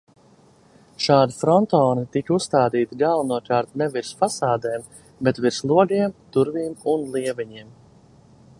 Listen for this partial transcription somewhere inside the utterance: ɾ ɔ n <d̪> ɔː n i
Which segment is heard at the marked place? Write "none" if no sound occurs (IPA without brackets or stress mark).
t̪